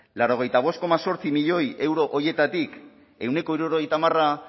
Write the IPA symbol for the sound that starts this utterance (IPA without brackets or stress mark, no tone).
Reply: l